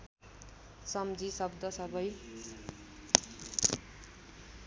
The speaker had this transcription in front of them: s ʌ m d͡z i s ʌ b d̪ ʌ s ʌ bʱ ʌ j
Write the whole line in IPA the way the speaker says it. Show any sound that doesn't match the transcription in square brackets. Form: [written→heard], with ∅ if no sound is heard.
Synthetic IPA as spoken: s ʌ m d͡z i s ʌ b d̪ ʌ s ʌ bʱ ʌ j